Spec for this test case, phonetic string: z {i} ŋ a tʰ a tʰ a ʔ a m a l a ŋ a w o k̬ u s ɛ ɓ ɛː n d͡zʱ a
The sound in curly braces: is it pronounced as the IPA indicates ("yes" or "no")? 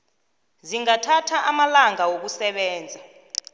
yes